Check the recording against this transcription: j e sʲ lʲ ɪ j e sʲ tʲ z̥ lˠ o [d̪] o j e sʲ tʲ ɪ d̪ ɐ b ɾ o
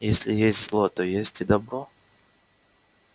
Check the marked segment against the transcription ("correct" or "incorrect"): incorrect